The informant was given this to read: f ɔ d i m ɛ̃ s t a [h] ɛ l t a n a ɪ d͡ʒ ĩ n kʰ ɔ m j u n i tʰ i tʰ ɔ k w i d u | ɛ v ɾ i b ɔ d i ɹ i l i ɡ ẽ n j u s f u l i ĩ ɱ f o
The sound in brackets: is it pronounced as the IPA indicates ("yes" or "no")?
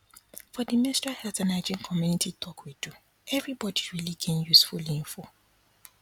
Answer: yes